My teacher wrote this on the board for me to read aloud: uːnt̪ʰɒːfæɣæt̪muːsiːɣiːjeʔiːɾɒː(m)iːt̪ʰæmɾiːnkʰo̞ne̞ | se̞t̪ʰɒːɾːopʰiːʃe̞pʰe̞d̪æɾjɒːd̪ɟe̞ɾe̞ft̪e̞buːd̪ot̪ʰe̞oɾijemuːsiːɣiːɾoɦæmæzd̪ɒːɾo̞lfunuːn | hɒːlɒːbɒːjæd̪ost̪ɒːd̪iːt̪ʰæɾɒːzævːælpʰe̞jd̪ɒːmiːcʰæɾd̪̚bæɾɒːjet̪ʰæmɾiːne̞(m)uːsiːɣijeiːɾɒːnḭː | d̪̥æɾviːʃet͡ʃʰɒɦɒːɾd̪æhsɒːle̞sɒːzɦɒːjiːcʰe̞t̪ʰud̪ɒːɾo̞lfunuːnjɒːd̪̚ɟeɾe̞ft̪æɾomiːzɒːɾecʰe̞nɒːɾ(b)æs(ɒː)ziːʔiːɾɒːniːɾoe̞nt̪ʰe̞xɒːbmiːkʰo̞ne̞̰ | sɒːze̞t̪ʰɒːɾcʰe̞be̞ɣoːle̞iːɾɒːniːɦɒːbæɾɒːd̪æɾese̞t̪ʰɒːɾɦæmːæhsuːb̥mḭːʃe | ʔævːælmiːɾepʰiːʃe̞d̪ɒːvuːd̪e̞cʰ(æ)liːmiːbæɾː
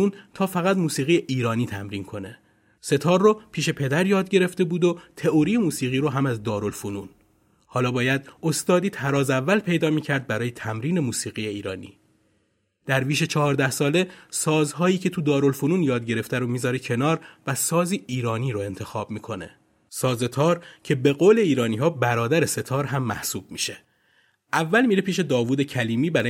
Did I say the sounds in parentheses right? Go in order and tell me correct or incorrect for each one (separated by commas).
incorrect, correct, incorrect, correct, correct